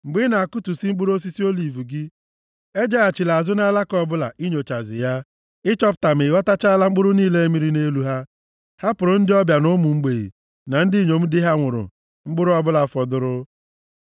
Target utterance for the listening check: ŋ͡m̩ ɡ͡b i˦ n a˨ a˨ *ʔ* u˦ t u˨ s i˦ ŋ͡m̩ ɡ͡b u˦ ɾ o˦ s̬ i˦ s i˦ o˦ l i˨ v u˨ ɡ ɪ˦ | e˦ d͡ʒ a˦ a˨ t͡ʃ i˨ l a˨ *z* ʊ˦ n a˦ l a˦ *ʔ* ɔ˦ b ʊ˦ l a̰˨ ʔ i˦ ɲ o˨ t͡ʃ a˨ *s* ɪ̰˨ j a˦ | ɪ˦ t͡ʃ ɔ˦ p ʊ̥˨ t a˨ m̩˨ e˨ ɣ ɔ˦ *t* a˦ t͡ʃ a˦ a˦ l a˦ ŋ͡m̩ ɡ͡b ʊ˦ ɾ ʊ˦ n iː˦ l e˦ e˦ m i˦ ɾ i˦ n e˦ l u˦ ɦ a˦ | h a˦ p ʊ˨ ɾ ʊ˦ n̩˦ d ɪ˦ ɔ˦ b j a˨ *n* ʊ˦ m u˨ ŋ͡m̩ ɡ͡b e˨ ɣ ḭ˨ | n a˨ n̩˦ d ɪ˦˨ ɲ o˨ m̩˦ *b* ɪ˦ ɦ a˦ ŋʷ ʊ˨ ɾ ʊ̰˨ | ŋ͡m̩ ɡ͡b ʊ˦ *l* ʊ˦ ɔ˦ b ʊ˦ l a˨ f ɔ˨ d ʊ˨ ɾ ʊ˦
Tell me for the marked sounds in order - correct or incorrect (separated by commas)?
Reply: incorrect, correct, incorrect, incorrect, correct, correct, incorrect, incorrect